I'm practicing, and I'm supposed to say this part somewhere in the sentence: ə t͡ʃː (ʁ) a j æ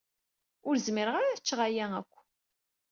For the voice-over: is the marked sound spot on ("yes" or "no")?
yes